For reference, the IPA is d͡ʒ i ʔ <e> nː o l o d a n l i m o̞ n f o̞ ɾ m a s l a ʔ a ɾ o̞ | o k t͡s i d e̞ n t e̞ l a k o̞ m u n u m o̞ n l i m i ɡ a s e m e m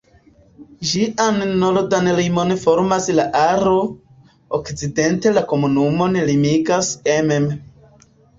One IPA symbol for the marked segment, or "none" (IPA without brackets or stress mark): a